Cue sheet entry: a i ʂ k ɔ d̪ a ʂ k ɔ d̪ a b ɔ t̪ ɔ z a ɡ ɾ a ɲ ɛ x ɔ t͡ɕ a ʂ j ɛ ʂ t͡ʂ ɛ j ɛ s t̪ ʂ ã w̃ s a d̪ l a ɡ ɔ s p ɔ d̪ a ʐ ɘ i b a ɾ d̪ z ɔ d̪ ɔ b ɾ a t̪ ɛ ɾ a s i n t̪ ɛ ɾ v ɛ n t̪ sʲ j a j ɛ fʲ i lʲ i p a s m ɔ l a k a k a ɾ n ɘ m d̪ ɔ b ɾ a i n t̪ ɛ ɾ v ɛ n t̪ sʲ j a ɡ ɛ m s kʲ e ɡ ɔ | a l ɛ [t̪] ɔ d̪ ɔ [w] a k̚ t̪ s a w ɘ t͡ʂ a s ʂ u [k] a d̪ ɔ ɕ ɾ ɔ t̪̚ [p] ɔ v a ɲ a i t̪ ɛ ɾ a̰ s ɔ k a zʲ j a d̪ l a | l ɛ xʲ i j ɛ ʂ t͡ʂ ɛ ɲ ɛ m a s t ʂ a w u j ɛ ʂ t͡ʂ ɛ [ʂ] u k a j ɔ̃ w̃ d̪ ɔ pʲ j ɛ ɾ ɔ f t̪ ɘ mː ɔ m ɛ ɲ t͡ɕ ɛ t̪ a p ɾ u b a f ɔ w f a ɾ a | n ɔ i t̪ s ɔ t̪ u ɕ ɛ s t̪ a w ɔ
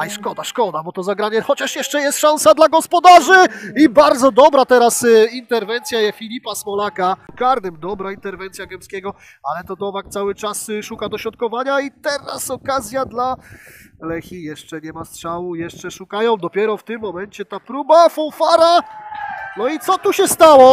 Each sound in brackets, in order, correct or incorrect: correct, incorrect: v, correct, incorrect: k, correct

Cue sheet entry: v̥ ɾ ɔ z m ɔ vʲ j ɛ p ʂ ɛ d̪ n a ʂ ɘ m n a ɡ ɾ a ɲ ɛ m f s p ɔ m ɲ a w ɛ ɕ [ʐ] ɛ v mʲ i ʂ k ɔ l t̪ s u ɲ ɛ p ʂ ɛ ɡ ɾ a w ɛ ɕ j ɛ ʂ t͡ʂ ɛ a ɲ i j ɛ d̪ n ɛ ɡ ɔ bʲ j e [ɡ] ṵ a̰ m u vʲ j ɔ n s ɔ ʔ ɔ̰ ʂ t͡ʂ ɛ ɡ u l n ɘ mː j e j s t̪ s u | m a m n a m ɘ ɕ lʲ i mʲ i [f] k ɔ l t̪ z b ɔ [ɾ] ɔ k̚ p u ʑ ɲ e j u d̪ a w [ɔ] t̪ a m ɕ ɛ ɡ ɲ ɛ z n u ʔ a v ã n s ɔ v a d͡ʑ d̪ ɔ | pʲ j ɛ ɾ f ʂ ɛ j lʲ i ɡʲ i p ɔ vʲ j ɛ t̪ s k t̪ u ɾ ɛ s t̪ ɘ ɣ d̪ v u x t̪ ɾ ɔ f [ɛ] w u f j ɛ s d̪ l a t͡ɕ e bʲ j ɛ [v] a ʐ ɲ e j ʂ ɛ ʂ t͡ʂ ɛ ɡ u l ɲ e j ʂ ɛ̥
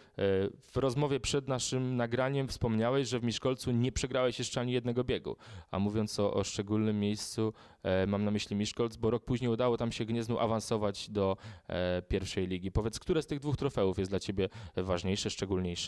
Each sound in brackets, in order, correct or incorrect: correct, correct, incorrect: ʂ, correct, correct, correct, correct

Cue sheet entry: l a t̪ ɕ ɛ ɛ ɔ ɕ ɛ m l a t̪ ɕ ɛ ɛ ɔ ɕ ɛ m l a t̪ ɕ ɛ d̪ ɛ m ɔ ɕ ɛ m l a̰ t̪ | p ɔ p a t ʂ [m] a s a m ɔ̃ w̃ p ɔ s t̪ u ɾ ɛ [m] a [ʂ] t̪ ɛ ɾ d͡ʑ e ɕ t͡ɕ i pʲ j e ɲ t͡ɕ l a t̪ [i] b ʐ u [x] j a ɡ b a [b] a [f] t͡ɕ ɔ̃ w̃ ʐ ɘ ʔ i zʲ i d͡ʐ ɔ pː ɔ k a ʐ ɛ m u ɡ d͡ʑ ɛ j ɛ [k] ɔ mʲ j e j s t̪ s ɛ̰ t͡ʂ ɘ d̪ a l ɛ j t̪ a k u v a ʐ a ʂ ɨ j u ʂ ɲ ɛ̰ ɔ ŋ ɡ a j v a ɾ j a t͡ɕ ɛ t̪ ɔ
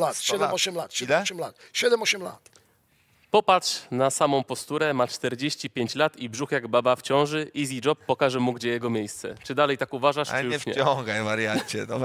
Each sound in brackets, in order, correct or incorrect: incorrect: n, correct, incorrect: t͡ʂ, correct, correct, correct, correct, incorrect: ɡ

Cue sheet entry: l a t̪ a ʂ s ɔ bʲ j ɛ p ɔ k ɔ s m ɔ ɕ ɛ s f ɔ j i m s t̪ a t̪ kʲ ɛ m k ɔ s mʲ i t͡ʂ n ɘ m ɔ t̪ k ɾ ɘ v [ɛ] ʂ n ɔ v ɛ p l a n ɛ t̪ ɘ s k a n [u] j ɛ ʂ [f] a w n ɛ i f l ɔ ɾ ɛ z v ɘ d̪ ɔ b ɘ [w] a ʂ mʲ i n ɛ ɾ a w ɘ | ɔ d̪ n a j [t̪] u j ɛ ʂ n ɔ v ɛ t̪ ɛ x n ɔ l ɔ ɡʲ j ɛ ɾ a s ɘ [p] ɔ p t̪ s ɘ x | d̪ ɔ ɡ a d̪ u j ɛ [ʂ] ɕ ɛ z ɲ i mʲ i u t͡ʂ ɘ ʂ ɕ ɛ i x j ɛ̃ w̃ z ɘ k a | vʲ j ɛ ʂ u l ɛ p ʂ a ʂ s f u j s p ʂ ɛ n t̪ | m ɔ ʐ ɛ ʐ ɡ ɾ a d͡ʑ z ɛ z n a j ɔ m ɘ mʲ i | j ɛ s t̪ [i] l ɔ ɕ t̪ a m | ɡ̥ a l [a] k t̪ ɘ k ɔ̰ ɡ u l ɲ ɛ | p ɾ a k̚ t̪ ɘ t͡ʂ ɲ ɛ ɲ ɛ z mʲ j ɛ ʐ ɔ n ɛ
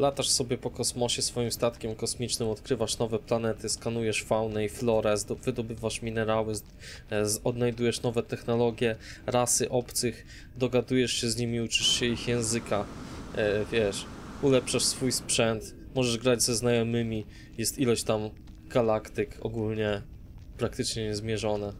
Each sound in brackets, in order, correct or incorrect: incorrect: a, correct, correct, incorrect: v, incorrect: d̪, incorrect: ʔ, correct, correct, correct

